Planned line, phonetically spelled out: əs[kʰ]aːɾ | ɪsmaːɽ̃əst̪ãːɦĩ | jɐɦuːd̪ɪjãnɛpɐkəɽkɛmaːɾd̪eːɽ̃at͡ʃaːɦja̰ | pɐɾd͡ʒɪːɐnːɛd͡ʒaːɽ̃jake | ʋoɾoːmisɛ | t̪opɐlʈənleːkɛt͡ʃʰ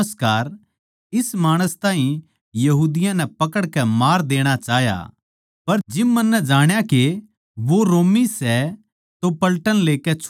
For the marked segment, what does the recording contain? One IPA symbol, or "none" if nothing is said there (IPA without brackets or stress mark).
k